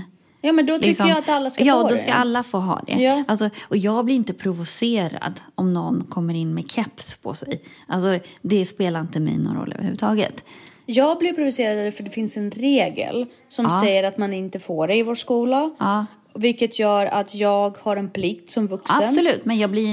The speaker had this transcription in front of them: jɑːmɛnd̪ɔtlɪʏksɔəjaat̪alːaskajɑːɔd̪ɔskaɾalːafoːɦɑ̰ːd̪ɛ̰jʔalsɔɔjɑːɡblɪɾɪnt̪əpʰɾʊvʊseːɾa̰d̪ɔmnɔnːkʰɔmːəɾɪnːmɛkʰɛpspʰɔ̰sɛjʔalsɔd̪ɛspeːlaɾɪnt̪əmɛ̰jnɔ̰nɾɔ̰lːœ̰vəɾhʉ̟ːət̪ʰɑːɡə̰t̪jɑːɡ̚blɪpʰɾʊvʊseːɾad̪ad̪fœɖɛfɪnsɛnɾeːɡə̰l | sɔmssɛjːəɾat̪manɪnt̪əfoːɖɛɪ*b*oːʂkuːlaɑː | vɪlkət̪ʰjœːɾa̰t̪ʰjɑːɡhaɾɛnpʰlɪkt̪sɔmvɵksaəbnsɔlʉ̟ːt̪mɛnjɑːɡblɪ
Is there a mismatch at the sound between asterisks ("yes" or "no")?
yes